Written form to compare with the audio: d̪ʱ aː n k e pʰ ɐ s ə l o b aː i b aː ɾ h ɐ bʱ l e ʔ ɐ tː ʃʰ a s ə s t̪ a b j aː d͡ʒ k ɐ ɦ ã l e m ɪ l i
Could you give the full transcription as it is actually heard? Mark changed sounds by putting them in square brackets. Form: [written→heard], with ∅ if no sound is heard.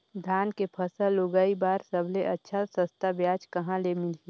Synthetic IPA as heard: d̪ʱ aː n k e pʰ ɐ s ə l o [b→ɡ] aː i b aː ɾ [h→s] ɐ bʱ l e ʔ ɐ tː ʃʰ a s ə s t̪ a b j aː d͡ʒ k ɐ ɦ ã l e m ɪ l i

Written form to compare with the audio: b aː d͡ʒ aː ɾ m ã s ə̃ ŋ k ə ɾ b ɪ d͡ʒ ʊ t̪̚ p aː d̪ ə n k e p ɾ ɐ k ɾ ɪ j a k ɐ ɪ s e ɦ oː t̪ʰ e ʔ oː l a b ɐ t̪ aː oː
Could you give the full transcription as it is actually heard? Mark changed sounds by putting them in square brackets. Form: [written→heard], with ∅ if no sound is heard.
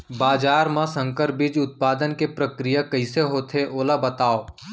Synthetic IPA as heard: b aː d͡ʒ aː ɾ m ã s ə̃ ŋ k ə ɾ b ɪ d͡ʒ ʊ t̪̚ p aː d̪ ə n k e p ɾ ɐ k ɾ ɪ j a k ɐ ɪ s e ɦ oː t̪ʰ e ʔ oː l a b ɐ t̪ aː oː

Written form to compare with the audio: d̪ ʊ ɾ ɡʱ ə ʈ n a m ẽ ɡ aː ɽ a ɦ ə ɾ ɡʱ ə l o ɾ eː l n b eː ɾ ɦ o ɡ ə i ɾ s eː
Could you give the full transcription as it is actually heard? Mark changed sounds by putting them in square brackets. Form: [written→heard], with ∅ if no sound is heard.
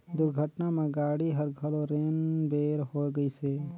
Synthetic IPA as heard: d̪ ʊ ɾ ɡʱ ə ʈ n a m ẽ ɡ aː ɽ [a→i] ɦ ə ɾ ɡʱ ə l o ɾ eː [l→∅] n b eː ɾ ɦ o ɡ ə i [ɾ→∅] s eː

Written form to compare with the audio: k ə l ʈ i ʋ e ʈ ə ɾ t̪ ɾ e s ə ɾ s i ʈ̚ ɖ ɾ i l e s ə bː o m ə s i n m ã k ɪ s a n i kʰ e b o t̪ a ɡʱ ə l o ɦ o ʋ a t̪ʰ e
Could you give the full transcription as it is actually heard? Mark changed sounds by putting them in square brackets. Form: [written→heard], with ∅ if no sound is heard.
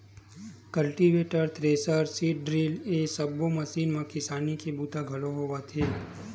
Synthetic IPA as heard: k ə l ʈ i ʋ e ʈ ə ɾ t̪ ɾ e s ə ɾ s i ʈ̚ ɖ ɾ i l e s ə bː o m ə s i n m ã k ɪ s a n i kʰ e b [o→u] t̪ a ɡʱ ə l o ɦ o ʋ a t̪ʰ e

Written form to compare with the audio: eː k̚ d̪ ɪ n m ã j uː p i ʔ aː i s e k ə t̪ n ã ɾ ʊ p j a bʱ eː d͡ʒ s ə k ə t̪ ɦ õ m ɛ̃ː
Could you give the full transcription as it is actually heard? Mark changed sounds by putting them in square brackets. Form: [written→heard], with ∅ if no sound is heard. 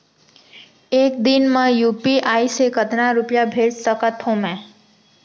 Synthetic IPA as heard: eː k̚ d̪ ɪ n m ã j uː p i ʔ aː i s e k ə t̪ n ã ɾ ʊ p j a bʱ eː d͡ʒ s ə k ə t̪ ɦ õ m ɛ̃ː

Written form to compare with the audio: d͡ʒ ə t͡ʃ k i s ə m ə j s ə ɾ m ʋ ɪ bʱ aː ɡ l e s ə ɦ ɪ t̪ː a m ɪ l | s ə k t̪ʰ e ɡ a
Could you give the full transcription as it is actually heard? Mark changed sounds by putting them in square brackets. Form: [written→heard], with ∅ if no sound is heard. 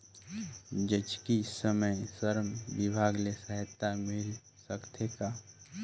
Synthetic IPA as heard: d͡ʒ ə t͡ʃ k i s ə m ə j s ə ɾ m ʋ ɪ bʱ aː ɡ l e s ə ɦ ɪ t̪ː a m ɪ l | s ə k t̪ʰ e [ɡ→k] a

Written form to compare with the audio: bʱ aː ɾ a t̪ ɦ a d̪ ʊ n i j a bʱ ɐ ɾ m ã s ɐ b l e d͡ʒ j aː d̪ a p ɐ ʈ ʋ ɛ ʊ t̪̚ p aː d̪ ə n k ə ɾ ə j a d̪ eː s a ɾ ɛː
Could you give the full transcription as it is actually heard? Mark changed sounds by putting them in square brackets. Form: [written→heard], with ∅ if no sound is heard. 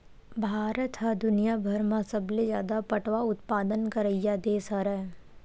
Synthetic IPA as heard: bʱ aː ɾ [a→ə] t̪ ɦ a d̪ ʊ n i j a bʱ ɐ ɾ m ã s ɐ b l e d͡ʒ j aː d̪ a p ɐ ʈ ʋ [ɛ→a] ʊ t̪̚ p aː d̪ ə n k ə ɾ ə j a d̪ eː s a ɾ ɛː

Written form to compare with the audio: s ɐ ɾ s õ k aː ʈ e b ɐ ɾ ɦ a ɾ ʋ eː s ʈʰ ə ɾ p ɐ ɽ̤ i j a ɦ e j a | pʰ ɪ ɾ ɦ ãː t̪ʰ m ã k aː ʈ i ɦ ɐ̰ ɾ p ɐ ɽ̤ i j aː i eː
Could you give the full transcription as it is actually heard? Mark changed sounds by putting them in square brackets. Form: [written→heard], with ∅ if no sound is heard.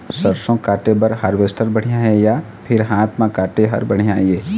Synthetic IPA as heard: s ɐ ɾ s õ k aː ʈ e b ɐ ɾ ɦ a ɾ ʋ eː s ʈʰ ə ɾ [p→b] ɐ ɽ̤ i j a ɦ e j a | pʰ ɪ ɾ ɦ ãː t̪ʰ m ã k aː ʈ [i→e] ɦ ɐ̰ ɾ [p→b] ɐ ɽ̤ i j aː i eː

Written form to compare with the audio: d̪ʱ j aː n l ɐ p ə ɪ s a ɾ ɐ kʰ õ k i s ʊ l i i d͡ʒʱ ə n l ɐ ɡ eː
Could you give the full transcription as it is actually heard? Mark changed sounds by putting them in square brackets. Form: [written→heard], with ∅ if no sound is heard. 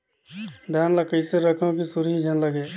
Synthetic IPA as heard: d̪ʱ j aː n l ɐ [p→k] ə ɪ s [a→e] ɾ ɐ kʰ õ k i s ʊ [l→ɾ] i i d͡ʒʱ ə n l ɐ ɡ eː

